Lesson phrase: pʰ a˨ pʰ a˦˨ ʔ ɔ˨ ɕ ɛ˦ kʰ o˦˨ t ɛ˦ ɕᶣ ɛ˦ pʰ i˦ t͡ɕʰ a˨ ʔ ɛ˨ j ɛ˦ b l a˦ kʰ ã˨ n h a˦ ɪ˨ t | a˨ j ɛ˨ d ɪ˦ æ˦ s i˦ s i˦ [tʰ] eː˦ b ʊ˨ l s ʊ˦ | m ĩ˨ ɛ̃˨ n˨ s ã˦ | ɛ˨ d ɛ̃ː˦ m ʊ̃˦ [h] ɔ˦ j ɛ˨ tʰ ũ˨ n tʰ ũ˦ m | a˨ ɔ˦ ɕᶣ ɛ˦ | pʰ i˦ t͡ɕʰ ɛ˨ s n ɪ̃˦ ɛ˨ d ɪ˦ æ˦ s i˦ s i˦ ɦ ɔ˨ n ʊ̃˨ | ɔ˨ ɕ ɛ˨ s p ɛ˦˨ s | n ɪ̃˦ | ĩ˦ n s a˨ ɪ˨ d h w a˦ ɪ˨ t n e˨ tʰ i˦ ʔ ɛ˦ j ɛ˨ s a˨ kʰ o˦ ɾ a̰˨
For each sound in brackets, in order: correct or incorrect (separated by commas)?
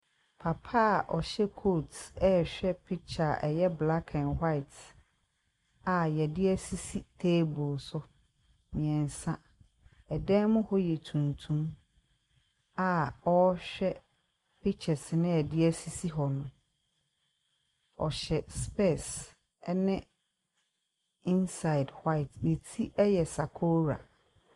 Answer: correct, correct